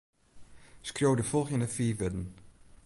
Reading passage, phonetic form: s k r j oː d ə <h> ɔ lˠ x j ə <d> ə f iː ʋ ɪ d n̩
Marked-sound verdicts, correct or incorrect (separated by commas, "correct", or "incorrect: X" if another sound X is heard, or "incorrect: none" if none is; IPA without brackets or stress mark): incorrect: f, incorrect: n